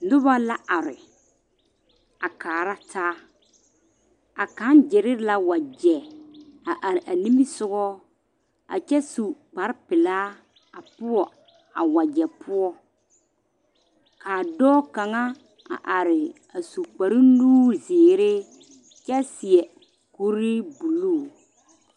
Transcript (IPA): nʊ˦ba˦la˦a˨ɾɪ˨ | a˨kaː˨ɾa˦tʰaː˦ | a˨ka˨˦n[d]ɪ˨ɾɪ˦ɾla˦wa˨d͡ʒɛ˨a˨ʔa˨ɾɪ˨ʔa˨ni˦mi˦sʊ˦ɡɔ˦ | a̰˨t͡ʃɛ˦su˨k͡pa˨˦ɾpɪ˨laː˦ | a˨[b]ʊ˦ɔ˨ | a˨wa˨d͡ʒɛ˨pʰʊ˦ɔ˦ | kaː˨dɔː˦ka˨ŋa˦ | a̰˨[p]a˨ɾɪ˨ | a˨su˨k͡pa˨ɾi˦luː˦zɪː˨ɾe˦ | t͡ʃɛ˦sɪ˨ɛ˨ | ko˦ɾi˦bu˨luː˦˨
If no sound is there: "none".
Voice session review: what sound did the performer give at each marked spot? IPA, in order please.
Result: d͡ʒ, p, ʔ

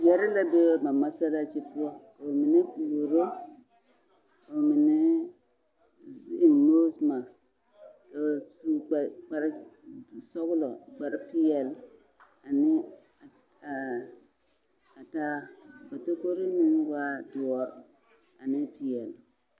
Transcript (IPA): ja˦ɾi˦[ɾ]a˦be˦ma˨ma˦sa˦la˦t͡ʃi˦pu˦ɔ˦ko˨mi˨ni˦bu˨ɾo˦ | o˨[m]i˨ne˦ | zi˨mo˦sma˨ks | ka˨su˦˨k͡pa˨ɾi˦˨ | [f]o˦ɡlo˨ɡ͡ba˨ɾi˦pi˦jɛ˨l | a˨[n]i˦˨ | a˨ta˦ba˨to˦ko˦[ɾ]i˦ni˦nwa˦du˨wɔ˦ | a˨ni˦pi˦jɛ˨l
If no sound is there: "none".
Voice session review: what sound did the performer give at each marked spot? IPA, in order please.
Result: l, m, s, n, ɾ

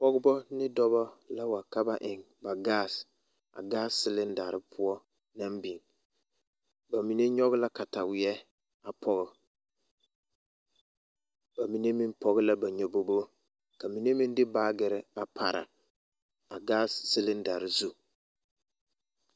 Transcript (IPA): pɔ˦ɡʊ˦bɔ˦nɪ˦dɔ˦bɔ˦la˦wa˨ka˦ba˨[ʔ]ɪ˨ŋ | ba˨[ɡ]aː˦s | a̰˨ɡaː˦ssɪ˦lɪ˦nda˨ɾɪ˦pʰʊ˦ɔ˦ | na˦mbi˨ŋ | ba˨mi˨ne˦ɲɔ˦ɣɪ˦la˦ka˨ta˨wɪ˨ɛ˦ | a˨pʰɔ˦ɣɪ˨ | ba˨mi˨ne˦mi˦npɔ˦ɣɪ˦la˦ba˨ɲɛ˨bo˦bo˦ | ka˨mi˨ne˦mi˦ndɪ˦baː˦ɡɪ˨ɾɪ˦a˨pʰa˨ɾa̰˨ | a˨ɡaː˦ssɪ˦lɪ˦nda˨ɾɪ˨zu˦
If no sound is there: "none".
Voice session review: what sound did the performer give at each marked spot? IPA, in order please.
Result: ʔ, ɡ

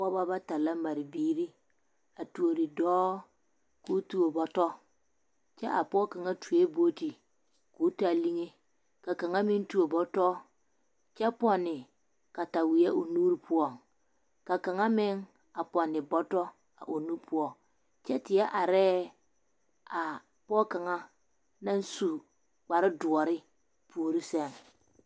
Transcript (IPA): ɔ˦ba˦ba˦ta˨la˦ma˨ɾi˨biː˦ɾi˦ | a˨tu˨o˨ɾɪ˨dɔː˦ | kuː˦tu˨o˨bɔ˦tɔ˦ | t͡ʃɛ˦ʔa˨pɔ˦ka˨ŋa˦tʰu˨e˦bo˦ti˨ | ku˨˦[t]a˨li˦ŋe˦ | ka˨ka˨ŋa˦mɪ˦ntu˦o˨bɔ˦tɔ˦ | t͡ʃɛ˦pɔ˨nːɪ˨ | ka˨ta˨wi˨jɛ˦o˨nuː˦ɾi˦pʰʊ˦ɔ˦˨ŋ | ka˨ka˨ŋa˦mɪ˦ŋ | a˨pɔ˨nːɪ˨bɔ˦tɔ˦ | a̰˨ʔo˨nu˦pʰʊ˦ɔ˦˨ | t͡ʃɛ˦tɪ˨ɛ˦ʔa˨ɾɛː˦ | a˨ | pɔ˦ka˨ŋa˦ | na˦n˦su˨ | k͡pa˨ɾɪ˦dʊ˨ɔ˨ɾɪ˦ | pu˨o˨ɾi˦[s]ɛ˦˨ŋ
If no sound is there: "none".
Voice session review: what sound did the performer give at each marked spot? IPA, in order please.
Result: t, s

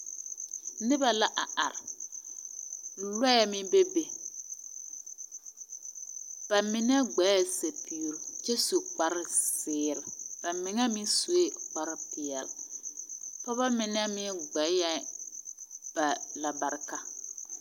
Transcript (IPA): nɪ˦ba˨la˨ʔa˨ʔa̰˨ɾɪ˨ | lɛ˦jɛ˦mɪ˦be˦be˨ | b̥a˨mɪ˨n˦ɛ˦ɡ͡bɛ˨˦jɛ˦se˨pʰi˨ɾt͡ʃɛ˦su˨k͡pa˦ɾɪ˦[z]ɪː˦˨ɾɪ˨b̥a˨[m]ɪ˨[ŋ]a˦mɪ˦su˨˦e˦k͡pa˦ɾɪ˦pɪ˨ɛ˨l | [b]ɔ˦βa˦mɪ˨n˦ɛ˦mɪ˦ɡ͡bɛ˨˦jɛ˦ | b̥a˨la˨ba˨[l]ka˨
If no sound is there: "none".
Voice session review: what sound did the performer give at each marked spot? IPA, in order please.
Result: s, m, ŋ, p, ɾ

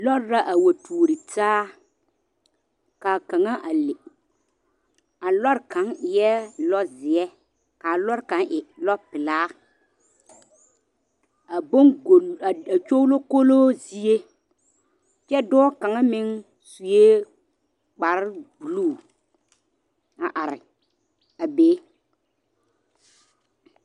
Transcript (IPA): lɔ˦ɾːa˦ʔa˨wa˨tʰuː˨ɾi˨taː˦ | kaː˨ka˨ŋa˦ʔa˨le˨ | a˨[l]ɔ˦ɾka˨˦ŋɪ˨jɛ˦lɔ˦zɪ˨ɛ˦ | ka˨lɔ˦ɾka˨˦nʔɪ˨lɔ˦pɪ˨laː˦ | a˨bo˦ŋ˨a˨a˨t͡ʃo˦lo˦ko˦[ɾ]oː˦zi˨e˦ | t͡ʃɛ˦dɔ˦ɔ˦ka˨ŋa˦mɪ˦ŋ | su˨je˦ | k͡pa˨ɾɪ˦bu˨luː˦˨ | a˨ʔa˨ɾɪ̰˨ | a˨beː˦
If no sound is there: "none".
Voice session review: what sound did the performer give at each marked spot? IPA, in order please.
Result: l, l

